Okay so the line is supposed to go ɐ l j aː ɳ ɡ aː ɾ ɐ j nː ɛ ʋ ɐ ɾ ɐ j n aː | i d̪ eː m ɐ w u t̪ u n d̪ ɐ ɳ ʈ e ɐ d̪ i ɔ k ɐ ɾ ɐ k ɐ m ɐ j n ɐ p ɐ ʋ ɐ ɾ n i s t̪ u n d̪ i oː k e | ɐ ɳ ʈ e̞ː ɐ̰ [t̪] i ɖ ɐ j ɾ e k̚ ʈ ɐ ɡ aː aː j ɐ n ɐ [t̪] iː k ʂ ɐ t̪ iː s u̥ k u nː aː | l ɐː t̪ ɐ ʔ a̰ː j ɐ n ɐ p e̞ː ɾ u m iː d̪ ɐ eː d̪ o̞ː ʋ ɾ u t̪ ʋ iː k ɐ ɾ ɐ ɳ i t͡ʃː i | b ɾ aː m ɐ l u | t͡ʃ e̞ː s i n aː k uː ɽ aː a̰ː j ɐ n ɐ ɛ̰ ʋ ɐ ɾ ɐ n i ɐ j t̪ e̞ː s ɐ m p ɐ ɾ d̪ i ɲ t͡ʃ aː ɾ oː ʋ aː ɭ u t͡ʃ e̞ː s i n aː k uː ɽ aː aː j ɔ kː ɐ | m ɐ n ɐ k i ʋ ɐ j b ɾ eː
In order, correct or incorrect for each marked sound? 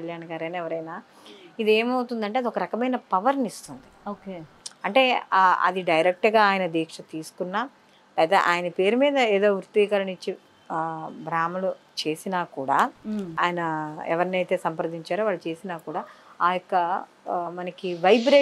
incorrect: d̪, incorrect: d̪

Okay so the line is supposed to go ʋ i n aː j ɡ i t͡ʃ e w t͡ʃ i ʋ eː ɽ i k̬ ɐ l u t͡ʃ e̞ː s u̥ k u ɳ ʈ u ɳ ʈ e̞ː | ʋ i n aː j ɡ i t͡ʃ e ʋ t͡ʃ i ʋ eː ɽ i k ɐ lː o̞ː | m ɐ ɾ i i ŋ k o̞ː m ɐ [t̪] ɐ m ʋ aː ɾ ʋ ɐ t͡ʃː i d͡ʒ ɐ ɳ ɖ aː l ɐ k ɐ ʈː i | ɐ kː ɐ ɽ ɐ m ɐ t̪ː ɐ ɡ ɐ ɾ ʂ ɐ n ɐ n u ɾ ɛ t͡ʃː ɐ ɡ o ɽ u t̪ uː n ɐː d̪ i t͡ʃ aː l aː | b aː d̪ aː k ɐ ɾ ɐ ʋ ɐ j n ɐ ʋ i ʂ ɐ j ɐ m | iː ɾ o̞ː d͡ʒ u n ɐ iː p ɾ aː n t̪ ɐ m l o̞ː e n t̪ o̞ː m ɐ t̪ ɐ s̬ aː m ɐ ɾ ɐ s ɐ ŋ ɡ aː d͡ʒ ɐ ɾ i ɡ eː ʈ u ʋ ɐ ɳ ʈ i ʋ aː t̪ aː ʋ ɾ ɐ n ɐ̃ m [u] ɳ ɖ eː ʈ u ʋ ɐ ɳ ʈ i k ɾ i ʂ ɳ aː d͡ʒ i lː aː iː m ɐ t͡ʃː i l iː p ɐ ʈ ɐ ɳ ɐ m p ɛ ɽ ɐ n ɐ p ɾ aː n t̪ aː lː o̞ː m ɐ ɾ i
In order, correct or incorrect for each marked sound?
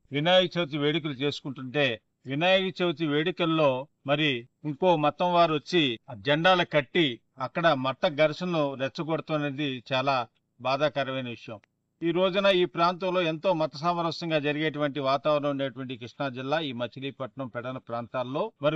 correct, correct

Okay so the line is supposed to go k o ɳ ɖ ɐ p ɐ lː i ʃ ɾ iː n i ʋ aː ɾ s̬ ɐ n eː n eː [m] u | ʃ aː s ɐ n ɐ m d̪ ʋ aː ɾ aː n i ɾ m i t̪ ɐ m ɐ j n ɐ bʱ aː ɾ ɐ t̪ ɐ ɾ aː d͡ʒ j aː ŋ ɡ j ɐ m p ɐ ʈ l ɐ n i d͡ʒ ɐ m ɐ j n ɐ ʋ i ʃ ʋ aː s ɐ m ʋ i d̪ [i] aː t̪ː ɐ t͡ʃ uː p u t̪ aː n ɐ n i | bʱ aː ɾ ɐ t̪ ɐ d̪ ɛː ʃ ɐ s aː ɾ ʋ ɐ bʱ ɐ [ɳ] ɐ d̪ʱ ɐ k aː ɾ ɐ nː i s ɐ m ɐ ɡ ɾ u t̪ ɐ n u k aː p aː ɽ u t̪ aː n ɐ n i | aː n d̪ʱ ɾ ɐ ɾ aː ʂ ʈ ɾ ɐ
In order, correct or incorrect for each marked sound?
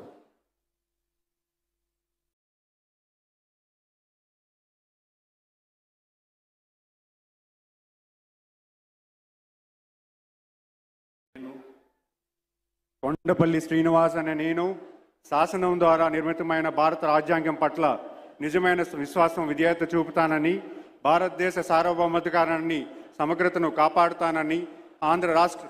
incorrect: n, incorrect: j, incorrect: m

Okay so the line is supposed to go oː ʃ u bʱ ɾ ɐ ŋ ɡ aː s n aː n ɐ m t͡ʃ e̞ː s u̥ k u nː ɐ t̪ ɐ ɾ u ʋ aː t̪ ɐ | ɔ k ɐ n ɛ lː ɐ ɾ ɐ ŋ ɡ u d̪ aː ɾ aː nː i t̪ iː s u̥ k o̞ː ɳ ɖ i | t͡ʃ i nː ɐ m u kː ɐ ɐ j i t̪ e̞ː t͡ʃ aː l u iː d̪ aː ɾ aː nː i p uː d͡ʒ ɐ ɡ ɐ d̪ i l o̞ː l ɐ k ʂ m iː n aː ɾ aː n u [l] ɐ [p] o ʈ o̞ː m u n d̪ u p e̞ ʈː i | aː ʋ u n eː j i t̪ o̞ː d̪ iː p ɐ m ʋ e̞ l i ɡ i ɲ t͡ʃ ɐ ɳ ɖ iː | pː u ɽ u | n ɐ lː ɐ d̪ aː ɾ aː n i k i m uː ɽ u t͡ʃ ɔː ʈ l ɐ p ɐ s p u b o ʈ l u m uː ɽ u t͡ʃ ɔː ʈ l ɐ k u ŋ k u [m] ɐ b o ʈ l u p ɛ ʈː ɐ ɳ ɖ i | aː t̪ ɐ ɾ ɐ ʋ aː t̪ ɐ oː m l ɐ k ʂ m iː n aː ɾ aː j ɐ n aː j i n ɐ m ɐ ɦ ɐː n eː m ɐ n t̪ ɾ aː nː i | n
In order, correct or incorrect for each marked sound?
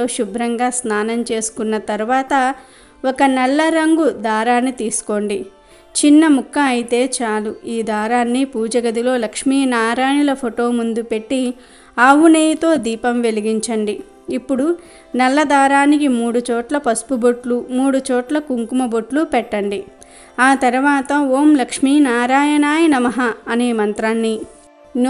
correct, incorrect: pʰ, correct

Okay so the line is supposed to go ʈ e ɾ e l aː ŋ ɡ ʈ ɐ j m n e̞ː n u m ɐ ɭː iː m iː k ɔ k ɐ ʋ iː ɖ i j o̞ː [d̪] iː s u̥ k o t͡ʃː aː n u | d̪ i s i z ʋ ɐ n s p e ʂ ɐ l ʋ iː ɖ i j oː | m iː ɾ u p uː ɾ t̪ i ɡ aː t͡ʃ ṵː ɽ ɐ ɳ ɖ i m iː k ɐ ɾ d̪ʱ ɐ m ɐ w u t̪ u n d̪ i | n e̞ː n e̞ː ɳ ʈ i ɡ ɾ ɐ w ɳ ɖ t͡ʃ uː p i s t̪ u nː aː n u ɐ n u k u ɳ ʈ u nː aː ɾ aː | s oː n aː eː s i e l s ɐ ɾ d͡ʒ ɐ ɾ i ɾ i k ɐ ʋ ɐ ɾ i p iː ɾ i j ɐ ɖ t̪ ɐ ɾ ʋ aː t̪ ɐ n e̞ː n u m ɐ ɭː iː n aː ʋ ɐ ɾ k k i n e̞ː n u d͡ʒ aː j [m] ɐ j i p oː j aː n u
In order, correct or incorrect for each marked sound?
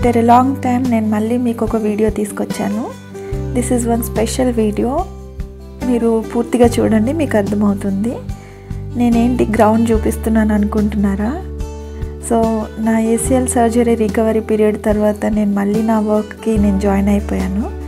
incorrect: t̪, incorrect: n

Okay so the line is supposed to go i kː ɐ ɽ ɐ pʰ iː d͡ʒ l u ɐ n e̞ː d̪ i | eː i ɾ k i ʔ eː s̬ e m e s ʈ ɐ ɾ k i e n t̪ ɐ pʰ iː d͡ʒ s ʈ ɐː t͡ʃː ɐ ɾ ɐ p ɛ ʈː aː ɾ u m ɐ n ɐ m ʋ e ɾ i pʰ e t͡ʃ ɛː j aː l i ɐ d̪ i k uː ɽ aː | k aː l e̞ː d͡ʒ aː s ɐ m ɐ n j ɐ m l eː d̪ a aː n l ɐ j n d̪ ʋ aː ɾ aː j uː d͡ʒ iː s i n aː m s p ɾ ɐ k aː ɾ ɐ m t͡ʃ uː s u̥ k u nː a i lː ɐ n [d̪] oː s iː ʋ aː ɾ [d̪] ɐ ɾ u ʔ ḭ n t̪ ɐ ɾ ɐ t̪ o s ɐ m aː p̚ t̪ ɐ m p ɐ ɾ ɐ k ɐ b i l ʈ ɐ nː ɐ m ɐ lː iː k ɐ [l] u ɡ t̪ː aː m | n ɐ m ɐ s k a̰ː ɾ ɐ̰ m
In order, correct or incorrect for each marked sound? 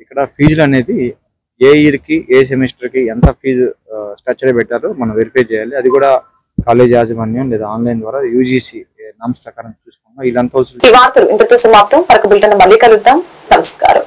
incorrect: t̪, incorrect: t̪, correct

